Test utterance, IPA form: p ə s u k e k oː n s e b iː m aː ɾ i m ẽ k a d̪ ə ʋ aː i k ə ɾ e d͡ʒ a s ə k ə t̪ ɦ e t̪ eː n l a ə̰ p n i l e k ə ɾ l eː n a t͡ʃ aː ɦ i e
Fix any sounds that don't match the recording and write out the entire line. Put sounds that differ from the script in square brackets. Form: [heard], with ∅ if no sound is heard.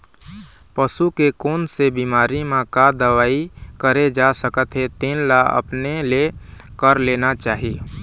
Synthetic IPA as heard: p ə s u k e k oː n s e b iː m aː ɾ i m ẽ k a d̪ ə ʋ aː i k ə ɾ e d͡ʒ a s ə k ə t̪ ɦ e t̪ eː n l a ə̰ p n [e] l e k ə ɾ l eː n a t͡ʃ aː ɦ i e

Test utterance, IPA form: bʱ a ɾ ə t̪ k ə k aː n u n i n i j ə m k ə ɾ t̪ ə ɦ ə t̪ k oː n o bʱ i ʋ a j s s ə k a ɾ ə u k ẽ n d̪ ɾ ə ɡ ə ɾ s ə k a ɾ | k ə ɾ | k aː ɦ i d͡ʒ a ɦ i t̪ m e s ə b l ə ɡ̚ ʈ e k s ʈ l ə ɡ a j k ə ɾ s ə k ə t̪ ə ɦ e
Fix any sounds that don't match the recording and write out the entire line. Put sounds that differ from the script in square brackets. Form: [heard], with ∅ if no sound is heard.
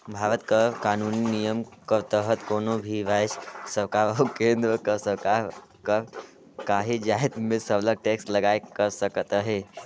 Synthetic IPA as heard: bʱ a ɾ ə t̪ k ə k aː n u n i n i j ə m k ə ɾ t̪ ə ɦ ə t̪ k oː n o bʱ i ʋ a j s s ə k a ɾ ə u k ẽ n d̪ ɾ ə [k] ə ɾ s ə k a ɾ | k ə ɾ | k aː ɦ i d͡ʒ a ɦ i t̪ m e s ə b l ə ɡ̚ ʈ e k s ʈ l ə ɡ a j k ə ɾ s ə k ə t̪ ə ɦ e

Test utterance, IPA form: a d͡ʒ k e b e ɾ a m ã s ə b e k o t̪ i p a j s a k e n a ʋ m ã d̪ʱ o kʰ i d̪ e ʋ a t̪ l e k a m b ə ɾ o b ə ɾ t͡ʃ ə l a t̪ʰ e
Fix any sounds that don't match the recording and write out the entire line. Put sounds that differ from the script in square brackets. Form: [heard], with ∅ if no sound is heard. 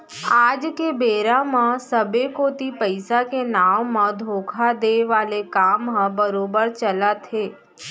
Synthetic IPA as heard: a d͡ʒ k e b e ɾ a m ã s ə b e k o t̪ i p [ə] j s a k e n a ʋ m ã d̪ʱ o kʰ [a] d̪ e ʋ a [∅] l e k a m b ə ɾ o b ə ɾ t͡ʃ ə l a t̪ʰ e

